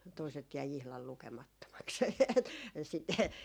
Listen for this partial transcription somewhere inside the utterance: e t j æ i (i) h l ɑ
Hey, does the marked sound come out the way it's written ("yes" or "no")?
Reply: yes